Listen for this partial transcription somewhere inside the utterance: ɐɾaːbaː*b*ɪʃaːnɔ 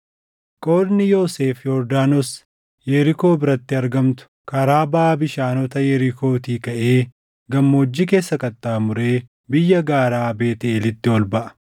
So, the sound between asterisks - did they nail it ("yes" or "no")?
yes